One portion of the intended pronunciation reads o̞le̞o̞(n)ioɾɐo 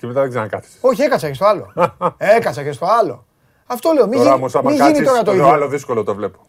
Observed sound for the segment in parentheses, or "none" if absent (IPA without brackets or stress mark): m